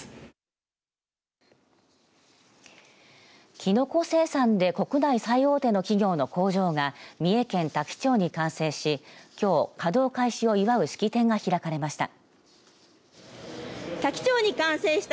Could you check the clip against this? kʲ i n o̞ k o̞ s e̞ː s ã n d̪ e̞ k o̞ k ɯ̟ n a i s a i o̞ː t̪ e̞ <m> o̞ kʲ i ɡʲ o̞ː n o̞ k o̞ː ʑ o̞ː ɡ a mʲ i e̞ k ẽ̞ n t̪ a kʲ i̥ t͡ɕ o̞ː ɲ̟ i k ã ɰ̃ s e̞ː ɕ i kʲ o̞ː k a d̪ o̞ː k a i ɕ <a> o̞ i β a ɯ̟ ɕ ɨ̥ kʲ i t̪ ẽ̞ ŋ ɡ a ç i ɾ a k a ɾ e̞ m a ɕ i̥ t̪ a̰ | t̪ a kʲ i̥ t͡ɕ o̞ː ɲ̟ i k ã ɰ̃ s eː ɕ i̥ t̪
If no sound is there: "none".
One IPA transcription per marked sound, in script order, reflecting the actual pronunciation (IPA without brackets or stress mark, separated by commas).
n, i